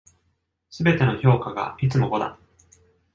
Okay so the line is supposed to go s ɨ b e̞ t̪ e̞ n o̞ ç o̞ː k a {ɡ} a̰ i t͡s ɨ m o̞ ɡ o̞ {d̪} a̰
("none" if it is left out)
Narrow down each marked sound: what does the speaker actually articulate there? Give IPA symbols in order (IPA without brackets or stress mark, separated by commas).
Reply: ɡ, d̪